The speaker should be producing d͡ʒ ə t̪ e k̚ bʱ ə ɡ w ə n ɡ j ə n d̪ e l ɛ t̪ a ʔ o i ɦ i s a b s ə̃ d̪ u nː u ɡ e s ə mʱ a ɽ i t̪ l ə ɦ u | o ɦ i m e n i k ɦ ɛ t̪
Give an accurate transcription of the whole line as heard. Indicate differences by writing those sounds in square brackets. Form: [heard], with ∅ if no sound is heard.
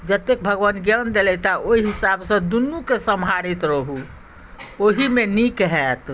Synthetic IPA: d͡ʒ ə t̪ e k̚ bʱ ə ɡ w ə n ɡ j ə n d̪ e l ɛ t̪ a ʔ o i ɦ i s a b s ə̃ d̪ u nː u [k] e s ə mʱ a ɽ i t̪ [ɾ] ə ɦ u | o ɦ i m e n i k ɦ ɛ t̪